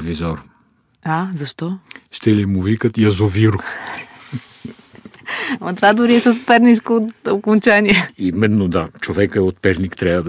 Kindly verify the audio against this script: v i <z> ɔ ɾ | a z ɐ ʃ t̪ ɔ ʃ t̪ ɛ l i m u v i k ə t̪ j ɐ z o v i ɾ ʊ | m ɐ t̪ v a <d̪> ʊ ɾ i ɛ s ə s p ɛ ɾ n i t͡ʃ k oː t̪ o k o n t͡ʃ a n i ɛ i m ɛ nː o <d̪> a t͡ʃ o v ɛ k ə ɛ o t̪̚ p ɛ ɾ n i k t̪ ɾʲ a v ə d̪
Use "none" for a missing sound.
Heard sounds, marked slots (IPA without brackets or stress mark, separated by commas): z, d̪, d̪